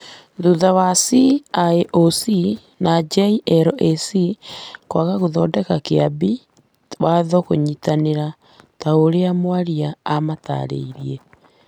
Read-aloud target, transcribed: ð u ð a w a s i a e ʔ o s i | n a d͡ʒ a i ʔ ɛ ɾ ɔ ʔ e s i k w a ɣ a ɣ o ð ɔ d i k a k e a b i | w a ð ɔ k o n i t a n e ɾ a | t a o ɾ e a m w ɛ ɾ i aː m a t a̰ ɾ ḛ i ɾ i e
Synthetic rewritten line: ð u ð a w a s i a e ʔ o s i | n a d͡ʒ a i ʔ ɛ ɾ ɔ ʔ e s i k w a ɣ a ɣ o ð ɔ d ɛ k a k e a b i | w a ð ɔ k o ɲ i t a n e ɾ a | t a o ɾ e a m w a ɾ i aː m a t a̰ ɾ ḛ i ɾ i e